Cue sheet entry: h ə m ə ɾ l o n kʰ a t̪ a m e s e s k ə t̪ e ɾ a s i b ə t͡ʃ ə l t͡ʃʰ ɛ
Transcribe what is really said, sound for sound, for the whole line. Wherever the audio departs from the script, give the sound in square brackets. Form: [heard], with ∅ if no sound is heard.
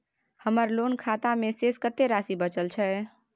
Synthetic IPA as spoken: h ə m ə ɾ l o n kʰ a t̪ a m e s e s k ə t̪ e ɾ a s i b ə t͡ʃ ə l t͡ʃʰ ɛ